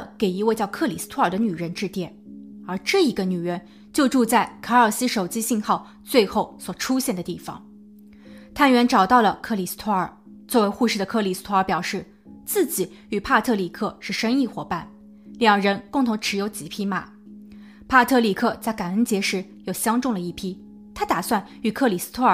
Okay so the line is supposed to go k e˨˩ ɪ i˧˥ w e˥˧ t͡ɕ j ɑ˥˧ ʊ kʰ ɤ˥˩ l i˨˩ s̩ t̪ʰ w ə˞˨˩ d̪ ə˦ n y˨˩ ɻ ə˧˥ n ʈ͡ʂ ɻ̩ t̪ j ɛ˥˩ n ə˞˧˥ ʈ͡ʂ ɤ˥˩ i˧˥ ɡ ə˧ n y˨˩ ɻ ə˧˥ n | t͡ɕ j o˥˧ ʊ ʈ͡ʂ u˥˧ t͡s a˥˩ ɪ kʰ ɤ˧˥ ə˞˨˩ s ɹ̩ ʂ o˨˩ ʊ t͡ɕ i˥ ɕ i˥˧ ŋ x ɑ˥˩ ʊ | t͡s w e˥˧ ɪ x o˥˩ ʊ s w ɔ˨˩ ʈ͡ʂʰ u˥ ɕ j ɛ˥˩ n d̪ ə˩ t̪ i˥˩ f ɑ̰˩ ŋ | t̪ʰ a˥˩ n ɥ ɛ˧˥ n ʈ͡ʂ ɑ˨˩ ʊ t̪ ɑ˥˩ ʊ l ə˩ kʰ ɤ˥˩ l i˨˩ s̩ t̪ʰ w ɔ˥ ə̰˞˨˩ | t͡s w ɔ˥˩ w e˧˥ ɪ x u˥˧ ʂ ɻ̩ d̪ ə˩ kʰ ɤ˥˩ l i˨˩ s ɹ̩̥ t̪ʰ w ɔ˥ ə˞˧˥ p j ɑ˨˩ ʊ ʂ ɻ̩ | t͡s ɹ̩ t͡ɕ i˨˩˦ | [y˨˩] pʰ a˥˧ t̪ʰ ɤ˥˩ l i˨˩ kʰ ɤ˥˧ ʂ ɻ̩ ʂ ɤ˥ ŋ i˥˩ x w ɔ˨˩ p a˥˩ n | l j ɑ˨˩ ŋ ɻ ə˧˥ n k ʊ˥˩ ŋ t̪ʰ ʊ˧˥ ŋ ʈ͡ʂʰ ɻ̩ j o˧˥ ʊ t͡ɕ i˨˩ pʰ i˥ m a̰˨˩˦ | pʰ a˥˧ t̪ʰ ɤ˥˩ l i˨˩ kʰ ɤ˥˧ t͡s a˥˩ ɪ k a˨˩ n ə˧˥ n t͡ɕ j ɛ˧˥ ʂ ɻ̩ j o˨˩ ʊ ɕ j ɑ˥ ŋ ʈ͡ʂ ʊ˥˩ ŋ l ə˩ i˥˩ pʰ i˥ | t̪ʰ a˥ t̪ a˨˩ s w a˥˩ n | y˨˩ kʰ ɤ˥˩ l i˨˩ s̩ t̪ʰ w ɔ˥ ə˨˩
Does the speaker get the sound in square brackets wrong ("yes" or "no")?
no